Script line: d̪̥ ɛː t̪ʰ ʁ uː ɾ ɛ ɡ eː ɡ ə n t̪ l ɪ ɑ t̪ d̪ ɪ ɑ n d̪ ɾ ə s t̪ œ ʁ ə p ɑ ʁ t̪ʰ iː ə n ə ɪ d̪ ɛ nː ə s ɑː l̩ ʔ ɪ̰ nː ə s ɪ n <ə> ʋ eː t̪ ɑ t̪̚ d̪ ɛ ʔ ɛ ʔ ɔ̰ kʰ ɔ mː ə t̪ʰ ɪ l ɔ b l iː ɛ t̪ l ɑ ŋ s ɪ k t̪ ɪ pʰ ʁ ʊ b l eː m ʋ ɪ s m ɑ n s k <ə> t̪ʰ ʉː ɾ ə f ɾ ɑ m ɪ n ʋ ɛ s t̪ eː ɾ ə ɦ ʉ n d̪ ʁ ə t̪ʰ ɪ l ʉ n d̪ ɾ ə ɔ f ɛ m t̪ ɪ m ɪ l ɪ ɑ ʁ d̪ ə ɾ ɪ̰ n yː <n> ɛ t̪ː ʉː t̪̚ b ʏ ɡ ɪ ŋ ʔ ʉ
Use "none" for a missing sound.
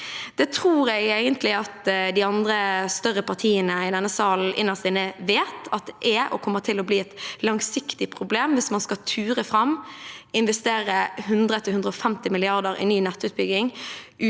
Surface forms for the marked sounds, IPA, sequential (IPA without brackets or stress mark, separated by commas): ə, ɑ, n